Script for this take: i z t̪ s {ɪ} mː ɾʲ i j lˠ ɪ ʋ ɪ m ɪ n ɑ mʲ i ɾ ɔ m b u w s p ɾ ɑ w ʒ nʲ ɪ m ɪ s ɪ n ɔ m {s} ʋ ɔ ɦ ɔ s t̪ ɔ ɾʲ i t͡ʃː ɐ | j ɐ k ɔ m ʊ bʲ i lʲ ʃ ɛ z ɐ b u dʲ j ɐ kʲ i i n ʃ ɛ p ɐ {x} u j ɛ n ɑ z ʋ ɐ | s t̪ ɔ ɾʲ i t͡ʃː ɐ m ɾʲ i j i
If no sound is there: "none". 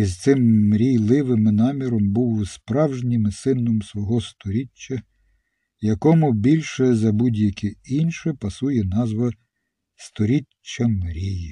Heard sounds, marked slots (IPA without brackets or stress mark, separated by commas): ɪ, s, s